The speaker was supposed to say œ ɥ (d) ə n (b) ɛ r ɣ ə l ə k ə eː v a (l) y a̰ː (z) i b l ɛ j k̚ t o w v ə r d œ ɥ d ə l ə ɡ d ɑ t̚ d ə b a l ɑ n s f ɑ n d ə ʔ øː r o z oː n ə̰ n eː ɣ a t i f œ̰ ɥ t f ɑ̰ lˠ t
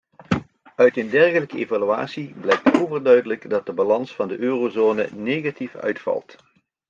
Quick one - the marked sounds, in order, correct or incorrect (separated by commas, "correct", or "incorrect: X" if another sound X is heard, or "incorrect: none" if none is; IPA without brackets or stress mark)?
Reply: incorrect: t, incorrect: d, correct, incorrect: s